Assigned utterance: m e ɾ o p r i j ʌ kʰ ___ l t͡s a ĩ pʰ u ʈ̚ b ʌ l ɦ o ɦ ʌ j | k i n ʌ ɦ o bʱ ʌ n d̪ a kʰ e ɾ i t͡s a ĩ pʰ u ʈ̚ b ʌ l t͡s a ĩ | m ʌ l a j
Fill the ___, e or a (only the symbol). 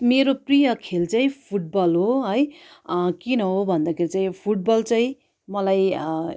e